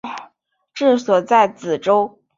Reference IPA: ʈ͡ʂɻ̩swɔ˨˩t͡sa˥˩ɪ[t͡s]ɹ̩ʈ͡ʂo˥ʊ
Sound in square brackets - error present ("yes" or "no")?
no